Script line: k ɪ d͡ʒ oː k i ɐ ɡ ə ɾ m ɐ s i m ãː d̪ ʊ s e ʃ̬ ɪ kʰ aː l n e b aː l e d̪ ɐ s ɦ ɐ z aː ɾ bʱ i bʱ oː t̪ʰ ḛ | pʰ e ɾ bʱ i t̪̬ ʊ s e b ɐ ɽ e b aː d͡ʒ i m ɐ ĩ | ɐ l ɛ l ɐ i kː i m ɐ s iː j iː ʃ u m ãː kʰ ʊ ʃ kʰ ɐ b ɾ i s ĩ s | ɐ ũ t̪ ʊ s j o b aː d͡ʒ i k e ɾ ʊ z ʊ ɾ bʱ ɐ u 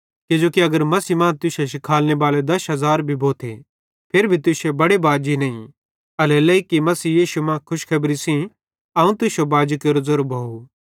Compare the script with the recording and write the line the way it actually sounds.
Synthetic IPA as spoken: k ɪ d͡ʒ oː k i ɐ ɡ ə ɾ m ɐ s i m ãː t̪ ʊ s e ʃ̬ ɪ kʰ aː l n e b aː l e d̪ ɐ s ɦ ɐ z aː ɾ bʱ i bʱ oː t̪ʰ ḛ | pʰ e ɾ bʱ i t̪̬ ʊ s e b ɐ ɽ e b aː d͡ʒ i n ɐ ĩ | ɐ l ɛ l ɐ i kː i m ɐ s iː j iː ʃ u m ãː kʰ ʊ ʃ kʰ ɐ b ɾ i s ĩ | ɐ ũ t̪ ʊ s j o b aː d͡ʒ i k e ɾ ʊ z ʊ ɾ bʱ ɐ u

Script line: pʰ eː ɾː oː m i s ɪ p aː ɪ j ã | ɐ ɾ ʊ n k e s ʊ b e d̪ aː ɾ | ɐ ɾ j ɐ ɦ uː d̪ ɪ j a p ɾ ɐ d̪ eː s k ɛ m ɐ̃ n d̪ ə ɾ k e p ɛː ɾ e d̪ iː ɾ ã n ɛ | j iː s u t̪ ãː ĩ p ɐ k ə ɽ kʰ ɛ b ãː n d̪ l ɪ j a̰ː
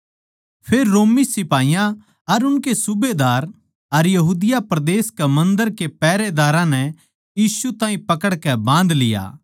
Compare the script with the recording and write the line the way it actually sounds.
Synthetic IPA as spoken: pʰ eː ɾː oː m i s ɪ p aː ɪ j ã | ɐ ɾ ʊ n k e s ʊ b e d̪ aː ɾ | ɐ ɾ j ɐ ɦ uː d̪ ɪ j a p ɾ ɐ d̪ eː s k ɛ m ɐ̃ n d̪ ə ɾ k e p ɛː ɾ e d̪ aː ɾ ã n ɛ | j iː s u t̪ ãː ĩ p ɐ k ə ɽ k ɛ b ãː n d̪ l ɪ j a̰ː

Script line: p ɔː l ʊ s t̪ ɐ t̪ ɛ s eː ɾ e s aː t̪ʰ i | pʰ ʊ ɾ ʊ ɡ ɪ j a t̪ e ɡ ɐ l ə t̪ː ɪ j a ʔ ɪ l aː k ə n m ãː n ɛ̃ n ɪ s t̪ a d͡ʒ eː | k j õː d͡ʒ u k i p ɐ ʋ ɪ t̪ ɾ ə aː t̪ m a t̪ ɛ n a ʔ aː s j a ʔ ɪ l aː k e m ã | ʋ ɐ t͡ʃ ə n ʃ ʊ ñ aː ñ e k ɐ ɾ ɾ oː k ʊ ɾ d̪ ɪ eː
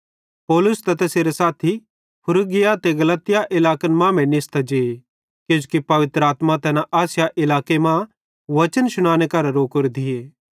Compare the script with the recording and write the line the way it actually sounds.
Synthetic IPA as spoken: p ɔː l ʊ s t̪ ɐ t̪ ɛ s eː ɾ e s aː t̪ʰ i | pʰ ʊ ɾ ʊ ɡ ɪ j a t̪ e ɡ ɐ l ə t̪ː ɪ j a ʔ ɪ l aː k ə n m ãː m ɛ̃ n ɪ s t̪ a d͡ʒ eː | k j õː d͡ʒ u k i p ɐ ʋ ɪ t̪ ɾ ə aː t̪ m a t̪ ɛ n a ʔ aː s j a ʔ ɪ l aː k e m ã | ʋ ɐ t͡ʃ ə n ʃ ʊ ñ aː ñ e k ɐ ɾ ɾ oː k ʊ ɾ d̪ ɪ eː

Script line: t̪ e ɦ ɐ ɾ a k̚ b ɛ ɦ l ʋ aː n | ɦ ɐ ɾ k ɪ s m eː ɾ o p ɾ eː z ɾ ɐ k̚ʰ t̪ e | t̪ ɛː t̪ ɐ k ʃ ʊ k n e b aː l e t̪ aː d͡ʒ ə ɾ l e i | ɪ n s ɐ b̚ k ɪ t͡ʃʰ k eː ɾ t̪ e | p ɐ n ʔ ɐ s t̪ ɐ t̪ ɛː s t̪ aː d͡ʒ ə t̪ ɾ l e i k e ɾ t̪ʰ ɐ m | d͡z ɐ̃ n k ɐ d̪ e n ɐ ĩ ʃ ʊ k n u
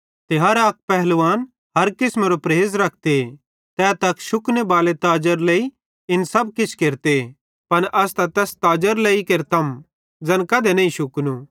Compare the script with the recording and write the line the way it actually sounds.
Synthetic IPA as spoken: t̪ e ɦ ɐ ɾ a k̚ p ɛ ɦ l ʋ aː n | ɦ ɐ ɾ k ɪ s m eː ɾ o p ɾ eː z ɾ ɐ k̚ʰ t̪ e | t̪ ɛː t̪ ɐ k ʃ ʊ k n e b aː l e t̪ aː d͡ʒ ə ɾ l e i | ɪ n s ɐ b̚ k ɪ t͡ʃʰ k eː ɾ t̪ e | p ɐ n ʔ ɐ s t̪ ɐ t̪ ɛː s t̪ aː d͡ʒ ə ɾ l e i k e ɾ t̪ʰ ɐ m | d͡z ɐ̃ n k ɐ d̪ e n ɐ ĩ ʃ ʊ k n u

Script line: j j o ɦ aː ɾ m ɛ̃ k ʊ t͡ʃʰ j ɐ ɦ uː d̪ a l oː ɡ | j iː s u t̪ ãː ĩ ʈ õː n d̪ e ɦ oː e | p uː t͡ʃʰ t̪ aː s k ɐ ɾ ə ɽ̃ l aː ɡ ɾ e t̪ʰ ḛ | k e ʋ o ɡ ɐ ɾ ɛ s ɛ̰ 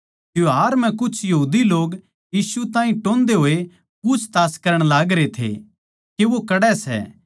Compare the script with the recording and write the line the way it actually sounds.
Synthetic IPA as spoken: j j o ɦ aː ɾ m ɛ̃ k ʊ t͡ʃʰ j ɐ ɦ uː d̪ i l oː ɡ | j iː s u t̪ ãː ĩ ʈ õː n d̪ e ɦ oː e | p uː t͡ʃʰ t̪ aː s k ɐ ɾ ə ɽ̃ l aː ɡ ɾ e t̪ʰ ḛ | k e ʋ o k ɐ ɽ ɛ s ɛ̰

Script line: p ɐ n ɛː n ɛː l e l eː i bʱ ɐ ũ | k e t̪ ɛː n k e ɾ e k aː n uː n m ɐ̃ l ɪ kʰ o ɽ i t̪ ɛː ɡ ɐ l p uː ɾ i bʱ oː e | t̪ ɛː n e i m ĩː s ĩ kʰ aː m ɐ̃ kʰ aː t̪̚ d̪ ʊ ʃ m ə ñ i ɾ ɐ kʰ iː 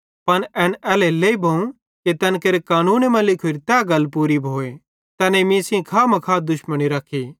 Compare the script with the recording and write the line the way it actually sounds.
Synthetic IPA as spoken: p ɐ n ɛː n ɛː l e l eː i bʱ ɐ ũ | k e t̪ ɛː n k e ɾ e k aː n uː n m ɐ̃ l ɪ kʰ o ɾ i t̪ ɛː ɡ ɐ l p uː ɾ i bʱ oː e | t̪ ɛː n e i m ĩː s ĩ kʰ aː m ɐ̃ kʰ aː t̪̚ d̪ ʊ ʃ m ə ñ i ɾ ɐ kʰ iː

